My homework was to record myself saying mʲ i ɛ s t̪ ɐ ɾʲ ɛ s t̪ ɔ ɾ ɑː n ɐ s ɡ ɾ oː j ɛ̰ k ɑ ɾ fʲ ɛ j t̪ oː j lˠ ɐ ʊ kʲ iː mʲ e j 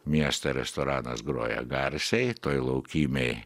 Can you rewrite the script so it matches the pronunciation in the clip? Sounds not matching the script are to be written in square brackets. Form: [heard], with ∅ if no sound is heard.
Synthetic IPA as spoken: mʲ i ɛ s t̪ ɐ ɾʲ ɛ s t̪ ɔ ɾ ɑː n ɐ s ɡ ɾ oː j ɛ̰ [ɡ] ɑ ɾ [sʲ] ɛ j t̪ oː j lˠ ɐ ʊ kʲ iː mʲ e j